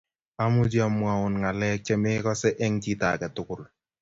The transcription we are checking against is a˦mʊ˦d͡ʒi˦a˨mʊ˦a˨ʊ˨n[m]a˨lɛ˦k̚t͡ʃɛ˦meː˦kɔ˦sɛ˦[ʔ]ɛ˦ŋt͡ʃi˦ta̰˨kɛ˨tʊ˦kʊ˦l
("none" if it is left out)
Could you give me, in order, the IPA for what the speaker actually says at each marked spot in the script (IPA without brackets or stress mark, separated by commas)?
ŋ, ʔ